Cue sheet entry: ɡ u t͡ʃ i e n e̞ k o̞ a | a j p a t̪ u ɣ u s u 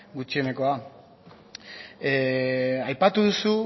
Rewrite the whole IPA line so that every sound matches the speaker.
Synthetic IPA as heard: ɡ u t͡ʃ i e n e̞ k o̞ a | a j p a t̪ u ð u s u